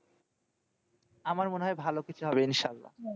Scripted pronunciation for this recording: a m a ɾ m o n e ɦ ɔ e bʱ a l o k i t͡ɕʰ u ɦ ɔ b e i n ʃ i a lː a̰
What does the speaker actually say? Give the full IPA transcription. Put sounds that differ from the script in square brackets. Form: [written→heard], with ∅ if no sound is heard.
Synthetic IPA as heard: a m a ɾ m o n e ɦ ɔ e bʱ a l o k i t͡ɕʰ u ɦ ɔ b e i n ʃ [i→a] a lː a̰